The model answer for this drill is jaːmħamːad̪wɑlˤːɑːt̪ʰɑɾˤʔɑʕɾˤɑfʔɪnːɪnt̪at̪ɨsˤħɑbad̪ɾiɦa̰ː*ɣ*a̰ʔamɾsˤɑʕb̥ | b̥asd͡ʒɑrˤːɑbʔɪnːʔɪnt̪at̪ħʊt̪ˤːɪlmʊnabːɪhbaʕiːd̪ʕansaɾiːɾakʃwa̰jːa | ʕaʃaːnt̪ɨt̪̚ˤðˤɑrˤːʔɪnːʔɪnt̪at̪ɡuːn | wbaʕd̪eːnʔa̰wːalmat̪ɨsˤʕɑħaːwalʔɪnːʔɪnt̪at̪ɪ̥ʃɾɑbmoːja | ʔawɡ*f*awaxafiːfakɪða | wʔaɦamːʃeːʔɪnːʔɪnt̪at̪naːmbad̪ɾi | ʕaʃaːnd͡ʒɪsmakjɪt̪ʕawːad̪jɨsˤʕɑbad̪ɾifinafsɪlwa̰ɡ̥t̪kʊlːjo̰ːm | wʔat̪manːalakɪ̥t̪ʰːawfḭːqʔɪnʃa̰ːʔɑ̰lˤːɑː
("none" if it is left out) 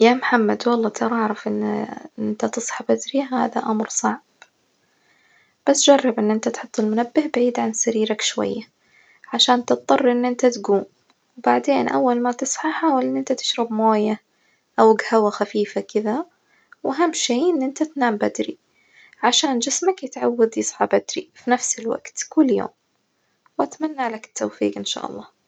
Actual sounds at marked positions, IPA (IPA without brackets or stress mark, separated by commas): ð, h